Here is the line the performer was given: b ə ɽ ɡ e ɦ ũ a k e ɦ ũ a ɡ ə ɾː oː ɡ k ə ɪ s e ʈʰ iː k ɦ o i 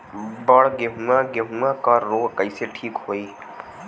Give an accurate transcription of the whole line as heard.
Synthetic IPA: b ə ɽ ɡ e ɦ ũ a ɡ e ɦ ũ a k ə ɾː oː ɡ k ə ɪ s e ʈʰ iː k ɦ o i